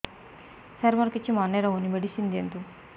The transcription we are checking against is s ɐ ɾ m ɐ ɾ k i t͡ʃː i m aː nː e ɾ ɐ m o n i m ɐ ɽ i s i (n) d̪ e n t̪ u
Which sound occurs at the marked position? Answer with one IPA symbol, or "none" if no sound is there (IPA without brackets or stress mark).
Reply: n